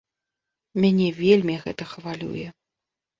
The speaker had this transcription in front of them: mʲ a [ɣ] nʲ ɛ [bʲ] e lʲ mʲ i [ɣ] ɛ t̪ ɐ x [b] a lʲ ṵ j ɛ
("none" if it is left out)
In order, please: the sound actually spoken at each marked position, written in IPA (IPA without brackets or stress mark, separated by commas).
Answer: none, vʲ, ɣ, v